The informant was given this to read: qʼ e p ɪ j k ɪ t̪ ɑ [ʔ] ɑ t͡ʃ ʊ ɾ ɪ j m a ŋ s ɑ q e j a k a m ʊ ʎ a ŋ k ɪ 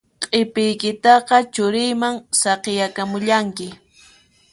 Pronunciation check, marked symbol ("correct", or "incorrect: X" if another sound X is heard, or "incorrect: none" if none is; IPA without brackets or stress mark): incorrect: q